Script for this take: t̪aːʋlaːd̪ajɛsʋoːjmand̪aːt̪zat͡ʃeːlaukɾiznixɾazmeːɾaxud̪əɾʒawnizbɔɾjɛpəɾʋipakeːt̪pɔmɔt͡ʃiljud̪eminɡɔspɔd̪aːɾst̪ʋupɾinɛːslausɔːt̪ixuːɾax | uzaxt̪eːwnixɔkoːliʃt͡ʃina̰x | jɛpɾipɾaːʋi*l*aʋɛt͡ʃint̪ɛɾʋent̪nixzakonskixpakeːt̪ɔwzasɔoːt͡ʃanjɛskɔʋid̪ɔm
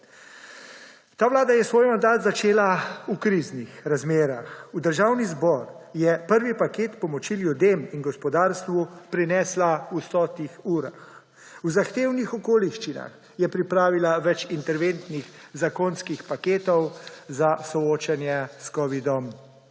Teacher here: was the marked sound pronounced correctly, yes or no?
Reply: yes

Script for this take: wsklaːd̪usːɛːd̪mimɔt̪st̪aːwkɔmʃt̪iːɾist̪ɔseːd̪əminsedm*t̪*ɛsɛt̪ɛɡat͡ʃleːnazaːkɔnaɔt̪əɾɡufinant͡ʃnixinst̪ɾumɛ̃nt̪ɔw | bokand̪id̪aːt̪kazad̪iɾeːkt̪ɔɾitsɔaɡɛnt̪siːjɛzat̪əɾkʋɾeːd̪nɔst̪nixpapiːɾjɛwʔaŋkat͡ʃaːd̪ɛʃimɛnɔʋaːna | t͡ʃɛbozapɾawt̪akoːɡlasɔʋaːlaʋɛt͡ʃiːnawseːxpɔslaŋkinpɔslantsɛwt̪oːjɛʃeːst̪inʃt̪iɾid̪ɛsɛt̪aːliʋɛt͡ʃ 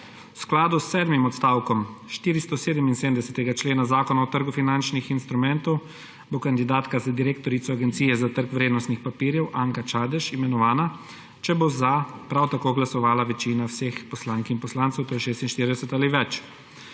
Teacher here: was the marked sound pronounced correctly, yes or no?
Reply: no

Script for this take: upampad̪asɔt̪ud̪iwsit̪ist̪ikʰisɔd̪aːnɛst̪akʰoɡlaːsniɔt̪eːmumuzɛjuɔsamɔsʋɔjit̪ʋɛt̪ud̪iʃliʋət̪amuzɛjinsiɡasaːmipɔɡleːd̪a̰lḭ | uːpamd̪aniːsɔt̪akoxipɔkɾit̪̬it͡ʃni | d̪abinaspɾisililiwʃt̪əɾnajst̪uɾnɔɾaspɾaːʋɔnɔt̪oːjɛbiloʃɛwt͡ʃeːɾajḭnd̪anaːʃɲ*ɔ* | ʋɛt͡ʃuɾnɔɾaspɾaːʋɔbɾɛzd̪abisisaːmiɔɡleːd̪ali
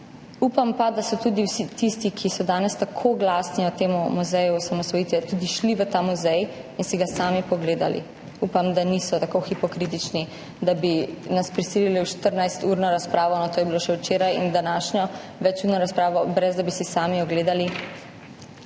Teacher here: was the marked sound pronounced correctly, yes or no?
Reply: yes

